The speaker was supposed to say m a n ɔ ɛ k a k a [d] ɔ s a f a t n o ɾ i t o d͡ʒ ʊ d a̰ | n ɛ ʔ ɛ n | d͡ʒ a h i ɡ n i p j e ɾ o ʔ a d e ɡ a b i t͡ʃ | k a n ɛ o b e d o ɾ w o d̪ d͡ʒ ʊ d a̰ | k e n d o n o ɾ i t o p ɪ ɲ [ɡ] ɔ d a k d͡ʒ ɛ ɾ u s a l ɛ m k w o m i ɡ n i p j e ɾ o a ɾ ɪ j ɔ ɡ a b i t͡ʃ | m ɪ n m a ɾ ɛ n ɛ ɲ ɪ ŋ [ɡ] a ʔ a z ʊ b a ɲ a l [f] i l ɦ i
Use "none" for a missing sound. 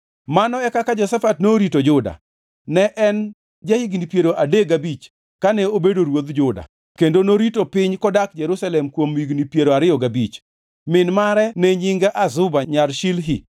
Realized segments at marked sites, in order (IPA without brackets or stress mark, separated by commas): d͡ʒ, k, ɡ, ʃ